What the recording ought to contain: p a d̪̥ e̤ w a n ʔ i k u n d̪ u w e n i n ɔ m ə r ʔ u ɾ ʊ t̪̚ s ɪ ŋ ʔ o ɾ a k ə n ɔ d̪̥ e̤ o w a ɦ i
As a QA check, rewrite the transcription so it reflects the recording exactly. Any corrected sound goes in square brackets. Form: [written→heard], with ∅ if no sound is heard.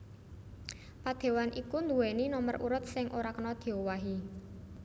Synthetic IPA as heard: p a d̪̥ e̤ w a n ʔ i k u n d̪ u w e n i n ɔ m ə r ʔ u ɾ ʊ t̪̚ s ɪ ŋ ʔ o ɾ a k ə n ɔ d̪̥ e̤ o w a ɦ i